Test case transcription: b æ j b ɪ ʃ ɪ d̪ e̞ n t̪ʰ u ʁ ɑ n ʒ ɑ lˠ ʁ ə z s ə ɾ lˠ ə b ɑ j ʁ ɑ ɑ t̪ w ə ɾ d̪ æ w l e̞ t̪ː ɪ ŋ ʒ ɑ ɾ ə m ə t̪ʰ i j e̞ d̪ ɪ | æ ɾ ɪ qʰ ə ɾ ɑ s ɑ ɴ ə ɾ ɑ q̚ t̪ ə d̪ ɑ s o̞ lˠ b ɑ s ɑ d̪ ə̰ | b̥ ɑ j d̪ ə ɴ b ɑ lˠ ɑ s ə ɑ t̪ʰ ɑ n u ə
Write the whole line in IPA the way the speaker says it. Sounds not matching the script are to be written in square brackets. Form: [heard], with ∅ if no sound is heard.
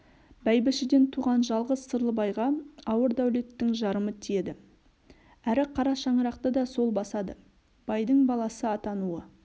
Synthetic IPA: b æ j b ɪ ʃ ɪ d̪ e̞ n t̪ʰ u ʁ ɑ n ʒ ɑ lˠ ʁ ə z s ə ɾ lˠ ə b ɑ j ʁ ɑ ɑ [∅] w ə ɾ d̪ æ w l e̞ t̪ː ɪ ŋ ʒ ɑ ɾ ə m ə t̪ʰ i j e̞ d̪ ɪ | æ ɾ ɪ qʰ [ɑ] ɾ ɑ [ʃ] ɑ ɴ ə ɾ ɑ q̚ t̪ ə d̪ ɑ s o̞ lˠ b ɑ s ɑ d̪ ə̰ | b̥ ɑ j d̪ ə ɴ b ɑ lˠ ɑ s ə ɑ [t̪] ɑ n u ə

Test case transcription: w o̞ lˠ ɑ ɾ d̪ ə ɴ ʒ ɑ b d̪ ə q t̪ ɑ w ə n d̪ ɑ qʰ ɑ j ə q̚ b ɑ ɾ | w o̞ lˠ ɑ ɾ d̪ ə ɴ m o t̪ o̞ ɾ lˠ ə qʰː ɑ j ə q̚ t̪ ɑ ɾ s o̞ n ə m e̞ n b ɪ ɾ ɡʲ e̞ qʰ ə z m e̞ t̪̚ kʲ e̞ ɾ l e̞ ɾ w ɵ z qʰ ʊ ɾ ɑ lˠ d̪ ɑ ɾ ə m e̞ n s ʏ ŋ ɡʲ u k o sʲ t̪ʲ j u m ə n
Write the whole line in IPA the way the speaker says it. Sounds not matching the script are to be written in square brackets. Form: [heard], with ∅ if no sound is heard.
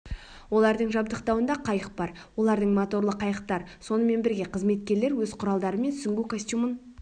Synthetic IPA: w o̞ lˠ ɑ ɾ d̪ ə ɴ ʒ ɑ b d̪ ə q t̪ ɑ w ə n d̪ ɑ qʰ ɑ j ə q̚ b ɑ ɾ | w o̞ lˠ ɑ ɾ d̪ ə ɴ m o t̪ o̞ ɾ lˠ ə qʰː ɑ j ə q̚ t̪ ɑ ɾ s o̞ n ə m e̞ n b ɪ ɾ ɡʲ e̞ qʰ ə z m e̞ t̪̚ kʲ e̞ ɾ l e̞ ɾ w ɵ z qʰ ʊ ɾ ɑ lˠ d̪ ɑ ɾ ə m e̞ n s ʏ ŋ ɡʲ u k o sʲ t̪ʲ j u m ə n

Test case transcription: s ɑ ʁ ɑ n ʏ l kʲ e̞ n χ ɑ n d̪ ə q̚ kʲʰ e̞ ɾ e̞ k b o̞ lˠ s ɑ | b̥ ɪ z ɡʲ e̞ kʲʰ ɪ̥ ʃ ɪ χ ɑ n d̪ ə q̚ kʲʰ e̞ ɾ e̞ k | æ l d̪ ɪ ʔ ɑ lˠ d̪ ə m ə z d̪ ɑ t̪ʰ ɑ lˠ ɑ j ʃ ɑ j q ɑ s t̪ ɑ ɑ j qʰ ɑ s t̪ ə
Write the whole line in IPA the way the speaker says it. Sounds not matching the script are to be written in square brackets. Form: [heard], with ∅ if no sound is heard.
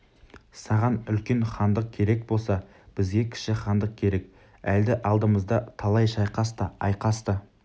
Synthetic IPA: s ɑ ʁ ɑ n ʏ l kʲ e̞ n χ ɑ n d̪ ə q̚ kʲʰ e̞ ɾ e̞ k b o̞ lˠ s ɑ | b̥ ɪ z ɡʲ e̞ kʲʰ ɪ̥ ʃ ɪ χ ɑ n d̪ ə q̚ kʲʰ e̞ ɾ e̞ k | æ l d̪ ɪ ʔ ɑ lˠ d̪ ə m ə z d̪ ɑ t̪ʰ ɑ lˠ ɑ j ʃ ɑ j q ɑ s t̪ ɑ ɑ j [q] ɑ s t̪ ə

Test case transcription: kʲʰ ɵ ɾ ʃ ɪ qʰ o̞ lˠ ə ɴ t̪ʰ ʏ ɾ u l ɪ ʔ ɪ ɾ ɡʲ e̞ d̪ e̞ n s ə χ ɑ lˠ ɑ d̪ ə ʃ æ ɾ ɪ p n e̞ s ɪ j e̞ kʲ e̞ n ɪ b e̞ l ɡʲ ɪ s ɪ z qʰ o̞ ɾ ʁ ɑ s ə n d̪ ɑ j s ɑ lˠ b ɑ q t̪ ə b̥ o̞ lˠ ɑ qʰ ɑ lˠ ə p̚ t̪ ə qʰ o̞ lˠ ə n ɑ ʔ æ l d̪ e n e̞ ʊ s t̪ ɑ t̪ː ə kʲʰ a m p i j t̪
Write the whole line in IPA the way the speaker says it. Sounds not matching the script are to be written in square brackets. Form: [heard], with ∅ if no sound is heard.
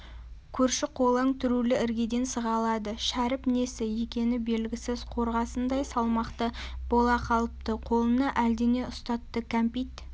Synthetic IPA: kʲʰ ɵ ɾ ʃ ɪ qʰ o̞ lˠ ə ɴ t̪ʰ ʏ ɾ u l ɪ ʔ ɪ ɾ ɡʲ e̞ d̪ e̞ n s ə [ʁ] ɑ lˠ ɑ d̪ ə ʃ æ ɾ ɪ p n e̞ s ɪ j e̞ kʲ e̞ n ɪ b e̞ l ɡʲ ɪ s ɪ z qʰ o̞ ɾ ʁ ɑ s ə n d̪ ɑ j s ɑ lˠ [m] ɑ q t̪ ə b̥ o̞ lˠ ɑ qʰ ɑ lˠ ə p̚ t̪ ə qʰ o̞ lˠ ə n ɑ ʔ æ l d̪ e n e̞ ʊ s t̪ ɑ t̪ː ə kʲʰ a m p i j t̪

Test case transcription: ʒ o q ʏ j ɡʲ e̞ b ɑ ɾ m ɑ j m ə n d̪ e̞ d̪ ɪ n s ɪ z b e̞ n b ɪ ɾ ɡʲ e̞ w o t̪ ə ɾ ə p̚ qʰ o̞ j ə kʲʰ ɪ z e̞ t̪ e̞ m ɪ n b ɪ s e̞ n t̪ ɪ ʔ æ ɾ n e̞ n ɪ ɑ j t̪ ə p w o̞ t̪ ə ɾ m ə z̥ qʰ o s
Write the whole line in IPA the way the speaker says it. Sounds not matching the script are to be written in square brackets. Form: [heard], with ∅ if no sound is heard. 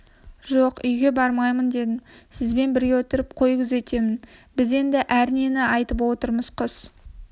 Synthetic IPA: ʒ o q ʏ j ɡʲ e̞ b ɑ ɾ m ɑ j m ə n d̪ e̞ d̪ ɪ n s ɪ z b e̞ n b ɪ ɾ ɡʲ e̞ w o t̪ ə ɾ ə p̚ qʰ o̞ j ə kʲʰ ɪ z e̞ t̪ e̞ m ɪ n b ɪ [z] e̞ n [d̪] ɪ ʔ æ ɾ n e̞ n ɪ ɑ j t̪ ə p w o̞ t̪ ə ɾ m ə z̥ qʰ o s

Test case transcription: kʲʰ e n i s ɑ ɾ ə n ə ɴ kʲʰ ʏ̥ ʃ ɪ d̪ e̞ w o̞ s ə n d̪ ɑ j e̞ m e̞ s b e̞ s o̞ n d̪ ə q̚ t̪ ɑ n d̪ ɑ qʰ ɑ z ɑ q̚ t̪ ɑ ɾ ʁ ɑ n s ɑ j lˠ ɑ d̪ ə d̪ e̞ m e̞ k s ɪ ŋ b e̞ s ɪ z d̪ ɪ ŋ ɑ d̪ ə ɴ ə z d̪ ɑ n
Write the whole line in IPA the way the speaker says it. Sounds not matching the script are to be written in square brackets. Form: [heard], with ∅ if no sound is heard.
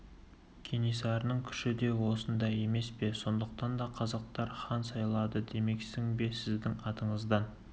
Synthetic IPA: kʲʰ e n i s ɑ ɾ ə n ə ɴ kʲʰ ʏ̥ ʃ ɪ d̪ e̞ w o̞ s ə n d̪ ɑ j e̞ m e̞ s [p] e̞ s o̞ n d̪ ə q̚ t̪ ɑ n d̪ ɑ qʰ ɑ z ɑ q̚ t̪ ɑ ɾ [χ] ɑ n s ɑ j lˠ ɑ d̪ ə d̪ e̞ m e̞ k s ɪ ŋ b e̞ s ɪ z d̪ ɪ ŋ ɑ [t̪] ə ɴ ə z d̪ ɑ n

